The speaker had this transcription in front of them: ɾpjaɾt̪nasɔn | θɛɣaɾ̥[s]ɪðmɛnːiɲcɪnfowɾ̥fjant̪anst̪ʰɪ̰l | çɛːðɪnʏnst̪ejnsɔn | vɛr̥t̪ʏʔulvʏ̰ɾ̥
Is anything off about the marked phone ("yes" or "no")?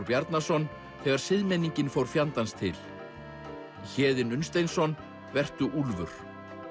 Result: no